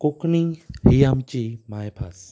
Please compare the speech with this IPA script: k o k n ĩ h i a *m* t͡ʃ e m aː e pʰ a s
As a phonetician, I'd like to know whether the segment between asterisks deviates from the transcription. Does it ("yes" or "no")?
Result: no